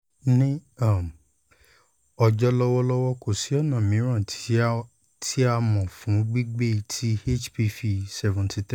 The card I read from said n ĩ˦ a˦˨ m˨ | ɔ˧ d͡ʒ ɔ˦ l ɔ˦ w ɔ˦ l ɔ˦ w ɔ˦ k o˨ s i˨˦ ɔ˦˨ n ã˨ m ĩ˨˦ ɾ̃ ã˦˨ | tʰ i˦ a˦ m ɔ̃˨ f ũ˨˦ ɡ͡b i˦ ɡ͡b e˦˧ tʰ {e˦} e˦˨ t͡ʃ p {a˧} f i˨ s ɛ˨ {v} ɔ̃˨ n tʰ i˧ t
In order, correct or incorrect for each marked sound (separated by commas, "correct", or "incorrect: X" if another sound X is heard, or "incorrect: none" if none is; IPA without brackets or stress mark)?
incorrect: i˦, incorrect: i˧, correct